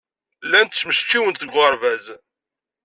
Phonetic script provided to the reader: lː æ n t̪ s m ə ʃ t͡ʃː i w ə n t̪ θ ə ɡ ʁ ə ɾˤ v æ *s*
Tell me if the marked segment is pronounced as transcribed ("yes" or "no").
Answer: no